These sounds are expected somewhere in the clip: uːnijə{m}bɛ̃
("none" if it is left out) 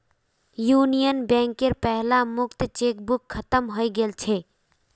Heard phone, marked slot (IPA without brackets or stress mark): n